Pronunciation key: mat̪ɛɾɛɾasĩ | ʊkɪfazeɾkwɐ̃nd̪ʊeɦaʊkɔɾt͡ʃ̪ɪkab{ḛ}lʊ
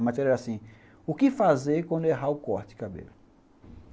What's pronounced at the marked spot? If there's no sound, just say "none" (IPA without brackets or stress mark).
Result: ḛ